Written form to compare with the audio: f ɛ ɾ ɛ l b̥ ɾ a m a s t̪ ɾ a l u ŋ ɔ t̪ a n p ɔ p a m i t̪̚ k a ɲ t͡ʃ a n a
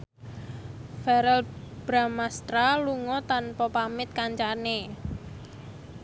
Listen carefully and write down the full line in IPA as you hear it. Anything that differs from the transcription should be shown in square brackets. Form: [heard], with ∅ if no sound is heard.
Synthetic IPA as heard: f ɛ ɾ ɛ l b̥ ɾ a m a s t̪ ɾ a l u ŋ ɔ t̪ a n p ɔ p a m [ɪ] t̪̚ k a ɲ t͡ʃ a n [e]